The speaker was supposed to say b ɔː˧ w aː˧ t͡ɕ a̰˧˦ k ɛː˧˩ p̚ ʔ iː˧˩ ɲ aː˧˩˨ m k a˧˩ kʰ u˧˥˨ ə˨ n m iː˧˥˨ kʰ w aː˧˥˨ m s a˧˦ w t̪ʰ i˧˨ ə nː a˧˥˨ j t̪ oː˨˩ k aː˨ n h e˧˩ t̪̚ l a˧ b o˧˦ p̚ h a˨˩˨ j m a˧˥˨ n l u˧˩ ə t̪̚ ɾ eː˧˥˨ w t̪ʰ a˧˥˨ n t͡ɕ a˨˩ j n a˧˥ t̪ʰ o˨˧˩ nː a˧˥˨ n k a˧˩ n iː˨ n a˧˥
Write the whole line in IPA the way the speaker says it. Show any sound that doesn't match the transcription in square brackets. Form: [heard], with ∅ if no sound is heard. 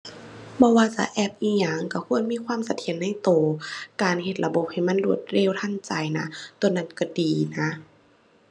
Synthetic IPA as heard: b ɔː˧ w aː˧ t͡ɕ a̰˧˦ [ʔ] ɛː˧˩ p̚ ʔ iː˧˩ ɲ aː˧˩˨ [ŋ] k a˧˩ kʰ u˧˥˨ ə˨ n m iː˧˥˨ kʰ w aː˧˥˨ m s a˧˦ [∅] t̪ʰ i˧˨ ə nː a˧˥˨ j t̪ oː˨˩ k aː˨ n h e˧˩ t̪̚ l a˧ b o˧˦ p̚ h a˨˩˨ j m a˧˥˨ n l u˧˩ ə t̪̚ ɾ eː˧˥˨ w t̪ʰ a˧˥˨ n t͡ɕ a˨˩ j n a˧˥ [t̪] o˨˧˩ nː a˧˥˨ n k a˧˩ [d] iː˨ n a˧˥